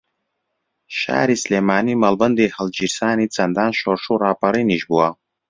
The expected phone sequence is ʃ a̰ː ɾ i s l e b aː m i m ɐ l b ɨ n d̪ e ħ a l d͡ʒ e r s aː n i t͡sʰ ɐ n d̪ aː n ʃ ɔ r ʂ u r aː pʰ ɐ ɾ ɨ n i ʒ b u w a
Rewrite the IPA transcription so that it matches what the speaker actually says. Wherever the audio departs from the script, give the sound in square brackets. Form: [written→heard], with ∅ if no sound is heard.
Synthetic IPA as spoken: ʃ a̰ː ɾ i s l e [b→m] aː [m→n] i m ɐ l b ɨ n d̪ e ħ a l d͡ʒ [e→i] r s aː n i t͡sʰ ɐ n d̪ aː n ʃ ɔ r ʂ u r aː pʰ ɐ ɾ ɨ n i ʒ b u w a